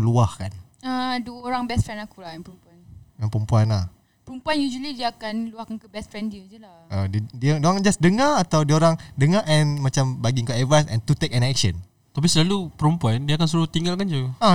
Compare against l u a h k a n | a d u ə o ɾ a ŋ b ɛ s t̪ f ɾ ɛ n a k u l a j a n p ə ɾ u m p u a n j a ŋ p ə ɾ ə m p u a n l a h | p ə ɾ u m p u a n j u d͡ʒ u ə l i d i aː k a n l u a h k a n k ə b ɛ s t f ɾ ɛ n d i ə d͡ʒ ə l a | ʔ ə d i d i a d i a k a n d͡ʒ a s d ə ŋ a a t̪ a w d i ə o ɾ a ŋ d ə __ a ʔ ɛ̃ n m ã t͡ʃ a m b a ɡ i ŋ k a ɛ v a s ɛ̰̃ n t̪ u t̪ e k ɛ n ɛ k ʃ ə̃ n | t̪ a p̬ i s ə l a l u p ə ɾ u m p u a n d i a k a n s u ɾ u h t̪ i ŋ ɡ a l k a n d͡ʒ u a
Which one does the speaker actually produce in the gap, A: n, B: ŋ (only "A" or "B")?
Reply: B